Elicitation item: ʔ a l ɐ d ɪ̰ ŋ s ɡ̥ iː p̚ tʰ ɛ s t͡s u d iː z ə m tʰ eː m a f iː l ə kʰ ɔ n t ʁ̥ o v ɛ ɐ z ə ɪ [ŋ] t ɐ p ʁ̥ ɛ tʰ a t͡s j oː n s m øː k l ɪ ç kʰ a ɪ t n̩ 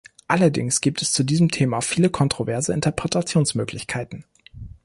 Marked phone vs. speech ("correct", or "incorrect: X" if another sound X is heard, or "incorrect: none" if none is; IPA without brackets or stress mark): incorrect: n